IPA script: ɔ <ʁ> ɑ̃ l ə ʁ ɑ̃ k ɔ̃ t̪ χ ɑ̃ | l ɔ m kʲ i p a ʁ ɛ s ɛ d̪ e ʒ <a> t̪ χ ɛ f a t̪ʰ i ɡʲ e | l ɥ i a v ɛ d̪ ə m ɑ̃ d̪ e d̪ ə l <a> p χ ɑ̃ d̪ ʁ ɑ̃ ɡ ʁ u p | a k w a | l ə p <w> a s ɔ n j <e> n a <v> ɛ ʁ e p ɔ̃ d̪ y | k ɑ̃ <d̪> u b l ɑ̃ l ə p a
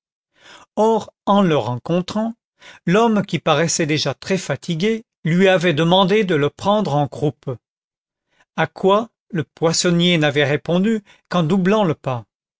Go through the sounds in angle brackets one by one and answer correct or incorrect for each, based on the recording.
correct, correct, incorrect: ə, correct, correct, correct, correct

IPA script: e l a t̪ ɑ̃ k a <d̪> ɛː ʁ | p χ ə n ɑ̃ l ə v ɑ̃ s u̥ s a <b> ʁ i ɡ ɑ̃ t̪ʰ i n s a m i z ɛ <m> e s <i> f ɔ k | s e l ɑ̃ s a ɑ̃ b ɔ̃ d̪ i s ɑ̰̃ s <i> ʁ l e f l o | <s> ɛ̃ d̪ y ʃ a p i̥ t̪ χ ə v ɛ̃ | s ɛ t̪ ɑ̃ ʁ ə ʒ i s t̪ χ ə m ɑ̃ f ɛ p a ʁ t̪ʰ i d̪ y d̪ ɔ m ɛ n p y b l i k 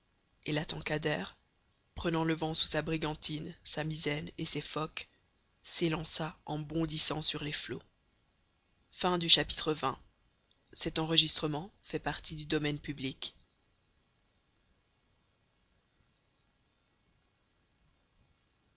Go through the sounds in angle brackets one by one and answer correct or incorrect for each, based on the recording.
correct, correct, incorrect: n, incorrect: e, incorrect: y, incorrect: f

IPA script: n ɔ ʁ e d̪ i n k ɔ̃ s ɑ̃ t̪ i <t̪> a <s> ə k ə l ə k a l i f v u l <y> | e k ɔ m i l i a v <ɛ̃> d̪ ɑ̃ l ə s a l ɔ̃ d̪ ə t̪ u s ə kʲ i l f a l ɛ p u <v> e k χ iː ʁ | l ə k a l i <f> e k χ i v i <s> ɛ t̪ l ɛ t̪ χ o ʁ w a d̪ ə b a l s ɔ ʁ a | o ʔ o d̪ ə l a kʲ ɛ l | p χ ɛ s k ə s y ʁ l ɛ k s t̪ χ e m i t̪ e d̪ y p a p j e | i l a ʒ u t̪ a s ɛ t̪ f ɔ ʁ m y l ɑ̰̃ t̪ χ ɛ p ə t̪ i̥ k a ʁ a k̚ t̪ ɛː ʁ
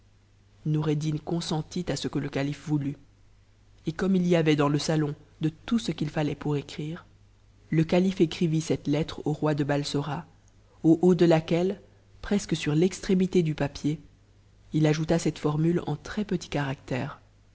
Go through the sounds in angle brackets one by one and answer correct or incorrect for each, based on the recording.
correct, correct, correct, incorrect: ɛ, incorrect: ʁ, correct, correct

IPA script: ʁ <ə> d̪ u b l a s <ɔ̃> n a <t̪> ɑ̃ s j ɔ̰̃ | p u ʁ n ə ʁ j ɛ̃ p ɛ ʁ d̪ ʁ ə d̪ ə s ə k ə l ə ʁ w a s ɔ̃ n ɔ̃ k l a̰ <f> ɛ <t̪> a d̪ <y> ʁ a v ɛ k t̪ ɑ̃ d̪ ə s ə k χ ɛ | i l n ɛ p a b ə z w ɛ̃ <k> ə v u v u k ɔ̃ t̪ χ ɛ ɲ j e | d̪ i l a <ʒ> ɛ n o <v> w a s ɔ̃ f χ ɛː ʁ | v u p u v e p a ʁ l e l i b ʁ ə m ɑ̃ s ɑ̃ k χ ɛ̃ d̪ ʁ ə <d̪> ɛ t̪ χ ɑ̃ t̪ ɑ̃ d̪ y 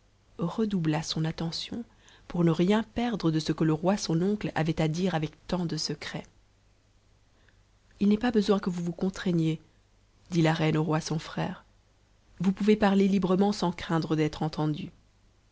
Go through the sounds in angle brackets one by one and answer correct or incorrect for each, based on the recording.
correct, correct, correct, incorrect: v, correct, incorrect: i, correct, incorrect: ʁ, incorrect: ʁ, correct

